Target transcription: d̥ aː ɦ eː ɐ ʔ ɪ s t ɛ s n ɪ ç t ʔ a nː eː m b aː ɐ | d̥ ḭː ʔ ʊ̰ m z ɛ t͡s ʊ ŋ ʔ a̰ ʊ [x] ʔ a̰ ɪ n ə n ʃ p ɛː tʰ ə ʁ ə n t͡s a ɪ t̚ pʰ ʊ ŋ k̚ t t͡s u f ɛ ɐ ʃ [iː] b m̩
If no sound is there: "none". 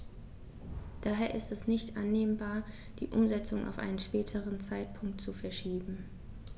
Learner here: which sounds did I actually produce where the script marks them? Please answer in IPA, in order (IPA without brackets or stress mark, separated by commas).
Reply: f, iː